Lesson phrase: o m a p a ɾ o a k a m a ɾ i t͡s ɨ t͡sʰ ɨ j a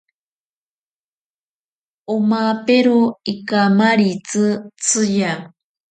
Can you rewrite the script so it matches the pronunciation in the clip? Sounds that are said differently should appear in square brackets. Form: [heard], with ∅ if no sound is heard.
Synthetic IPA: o m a p [e] ɾ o [i] k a m a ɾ i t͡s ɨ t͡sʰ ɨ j a